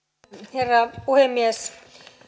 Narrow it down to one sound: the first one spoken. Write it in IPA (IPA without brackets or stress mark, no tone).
h